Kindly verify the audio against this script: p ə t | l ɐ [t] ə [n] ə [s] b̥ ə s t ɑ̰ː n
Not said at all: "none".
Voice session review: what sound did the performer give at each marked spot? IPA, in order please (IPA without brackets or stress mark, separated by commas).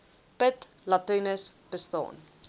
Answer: t, n, s